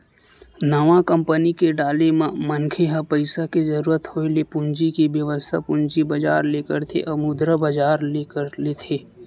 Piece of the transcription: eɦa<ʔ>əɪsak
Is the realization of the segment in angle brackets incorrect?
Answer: yes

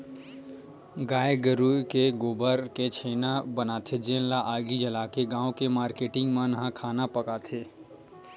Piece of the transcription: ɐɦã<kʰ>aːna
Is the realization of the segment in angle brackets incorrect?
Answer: no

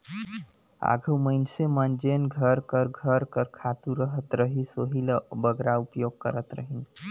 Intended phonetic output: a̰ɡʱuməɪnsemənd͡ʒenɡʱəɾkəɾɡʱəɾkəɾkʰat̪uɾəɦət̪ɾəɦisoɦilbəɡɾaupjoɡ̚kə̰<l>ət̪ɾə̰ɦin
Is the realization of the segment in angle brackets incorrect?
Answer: yes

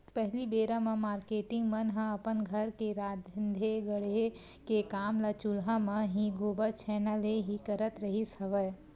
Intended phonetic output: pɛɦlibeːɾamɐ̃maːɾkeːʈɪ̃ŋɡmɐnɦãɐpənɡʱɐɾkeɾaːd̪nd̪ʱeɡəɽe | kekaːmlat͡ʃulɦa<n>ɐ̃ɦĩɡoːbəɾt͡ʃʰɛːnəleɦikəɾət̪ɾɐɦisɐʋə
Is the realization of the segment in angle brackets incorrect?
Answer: yes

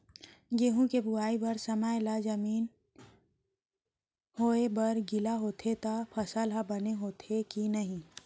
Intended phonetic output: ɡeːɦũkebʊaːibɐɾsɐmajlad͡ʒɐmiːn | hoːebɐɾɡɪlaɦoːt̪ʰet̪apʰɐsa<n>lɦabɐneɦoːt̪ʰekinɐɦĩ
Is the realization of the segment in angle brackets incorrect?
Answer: yes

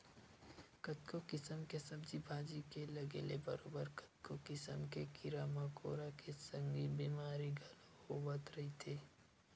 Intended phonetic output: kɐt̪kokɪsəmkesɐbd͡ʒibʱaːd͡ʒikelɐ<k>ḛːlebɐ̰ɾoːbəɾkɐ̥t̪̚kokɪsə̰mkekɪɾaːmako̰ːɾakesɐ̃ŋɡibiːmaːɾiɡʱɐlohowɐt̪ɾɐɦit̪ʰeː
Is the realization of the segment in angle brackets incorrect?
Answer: yes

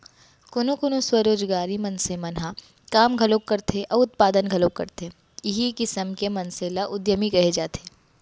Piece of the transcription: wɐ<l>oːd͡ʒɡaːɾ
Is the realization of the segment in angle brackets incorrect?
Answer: yes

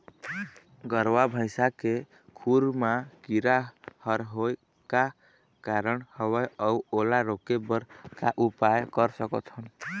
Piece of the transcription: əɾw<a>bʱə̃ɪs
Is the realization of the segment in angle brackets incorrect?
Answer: no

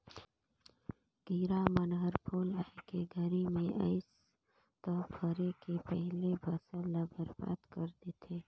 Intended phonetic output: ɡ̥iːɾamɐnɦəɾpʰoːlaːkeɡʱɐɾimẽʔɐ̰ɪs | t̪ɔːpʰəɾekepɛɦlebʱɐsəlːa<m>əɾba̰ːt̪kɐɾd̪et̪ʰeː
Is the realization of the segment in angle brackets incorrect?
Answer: yes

